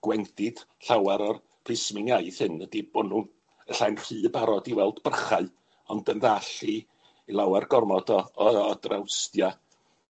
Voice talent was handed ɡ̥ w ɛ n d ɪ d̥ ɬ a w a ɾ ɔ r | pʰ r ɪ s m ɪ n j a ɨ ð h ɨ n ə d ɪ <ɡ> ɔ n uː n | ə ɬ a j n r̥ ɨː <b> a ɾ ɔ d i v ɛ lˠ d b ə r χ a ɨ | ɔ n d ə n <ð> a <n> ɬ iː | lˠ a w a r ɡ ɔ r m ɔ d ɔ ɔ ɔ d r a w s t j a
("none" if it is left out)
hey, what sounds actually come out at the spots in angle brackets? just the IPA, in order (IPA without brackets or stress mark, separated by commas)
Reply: b, b, ð, none